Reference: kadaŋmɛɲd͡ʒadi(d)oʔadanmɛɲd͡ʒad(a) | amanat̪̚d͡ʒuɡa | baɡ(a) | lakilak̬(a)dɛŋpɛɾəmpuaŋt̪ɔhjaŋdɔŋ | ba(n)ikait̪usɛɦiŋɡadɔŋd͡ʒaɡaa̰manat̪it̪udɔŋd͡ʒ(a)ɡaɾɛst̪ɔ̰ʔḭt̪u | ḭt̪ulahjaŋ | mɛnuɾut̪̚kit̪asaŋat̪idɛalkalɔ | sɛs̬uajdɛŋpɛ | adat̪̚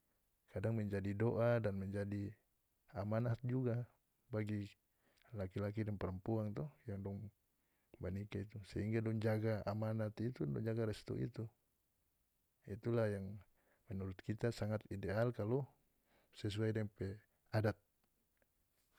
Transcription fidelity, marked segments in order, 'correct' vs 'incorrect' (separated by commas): correct, incorrect, incorrect, incorrect, correct, correct